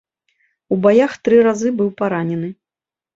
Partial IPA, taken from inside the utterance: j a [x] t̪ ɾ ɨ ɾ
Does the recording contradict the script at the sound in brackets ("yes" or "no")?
no